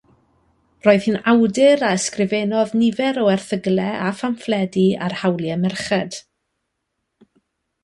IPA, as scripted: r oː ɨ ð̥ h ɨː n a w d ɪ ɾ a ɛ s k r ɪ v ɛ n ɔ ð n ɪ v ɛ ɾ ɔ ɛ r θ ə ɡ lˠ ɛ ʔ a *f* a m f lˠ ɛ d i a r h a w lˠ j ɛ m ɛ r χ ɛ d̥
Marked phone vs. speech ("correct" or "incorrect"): correct